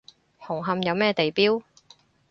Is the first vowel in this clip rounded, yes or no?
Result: yes